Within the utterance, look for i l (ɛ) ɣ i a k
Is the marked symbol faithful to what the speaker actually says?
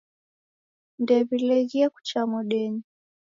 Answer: yes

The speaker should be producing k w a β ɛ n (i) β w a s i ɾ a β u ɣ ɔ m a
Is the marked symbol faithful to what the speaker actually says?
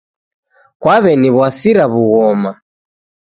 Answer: yes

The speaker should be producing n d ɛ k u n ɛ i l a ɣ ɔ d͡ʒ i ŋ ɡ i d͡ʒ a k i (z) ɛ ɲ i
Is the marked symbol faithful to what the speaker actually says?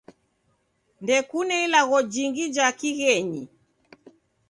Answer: no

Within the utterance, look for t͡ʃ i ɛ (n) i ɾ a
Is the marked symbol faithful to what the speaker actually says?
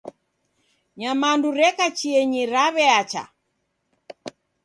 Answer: no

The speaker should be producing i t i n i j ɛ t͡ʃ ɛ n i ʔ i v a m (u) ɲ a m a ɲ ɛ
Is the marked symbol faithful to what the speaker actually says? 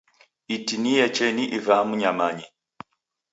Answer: yes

